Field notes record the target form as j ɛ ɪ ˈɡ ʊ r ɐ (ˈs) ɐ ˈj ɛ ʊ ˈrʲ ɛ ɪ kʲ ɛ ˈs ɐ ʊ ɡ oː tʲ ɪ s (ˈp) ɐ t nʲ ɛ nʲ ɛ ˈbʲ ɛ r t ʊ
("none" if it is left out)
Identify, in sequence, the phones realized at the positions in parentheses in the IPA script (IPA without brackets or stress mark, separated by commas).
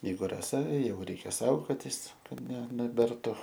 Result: s, k